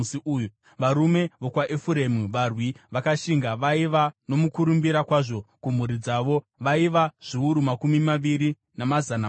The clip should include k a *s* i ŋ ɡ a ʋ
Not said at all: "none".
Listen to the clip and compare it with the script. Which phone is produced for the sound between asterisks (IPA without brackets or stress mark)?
ʃ